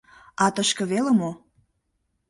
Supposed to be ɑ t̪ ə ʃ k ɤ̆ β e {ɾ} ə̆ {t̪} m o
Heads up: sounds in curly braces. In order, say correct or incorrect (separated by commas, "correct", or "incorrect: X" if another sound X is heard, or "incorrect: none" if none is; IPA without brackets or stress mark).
incorrect: l, incorrect: none